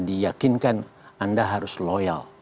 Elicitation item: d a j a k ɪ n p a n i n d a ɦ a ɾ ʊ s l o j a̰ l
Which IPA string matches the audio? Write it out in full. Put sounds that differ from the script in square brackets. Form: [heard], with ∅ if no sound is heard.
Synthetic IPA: d [i] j a k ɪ n [k] a n [a] n d a ɦ a ɾ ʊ s l o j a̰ l